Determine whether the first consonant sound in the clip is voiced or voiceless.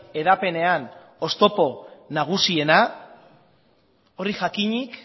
voiced